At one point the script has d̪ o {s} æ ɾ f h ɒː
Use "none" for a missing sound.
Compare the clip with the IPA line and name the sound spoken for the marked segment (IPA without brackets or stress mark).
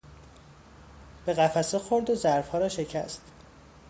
z